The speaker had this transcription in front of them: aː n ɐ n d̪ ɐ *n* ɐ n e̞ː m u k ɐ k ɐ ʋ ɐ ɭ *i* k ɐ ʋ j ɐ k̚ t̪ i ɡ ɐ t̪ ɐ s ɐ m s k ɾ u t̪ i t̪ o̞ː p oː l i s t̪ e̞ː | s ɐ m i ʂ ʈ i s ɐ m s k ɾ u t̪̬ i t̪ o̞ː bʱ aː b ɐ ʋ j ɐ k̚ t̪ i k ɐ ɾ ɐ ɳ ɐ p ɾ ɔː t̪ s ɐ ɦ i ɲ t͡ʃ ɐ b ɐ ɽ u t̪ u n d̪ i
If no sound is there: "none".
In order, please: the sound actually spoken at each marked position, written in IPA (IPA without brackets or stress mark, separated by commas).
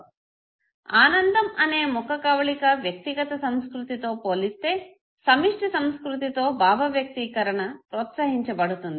m, i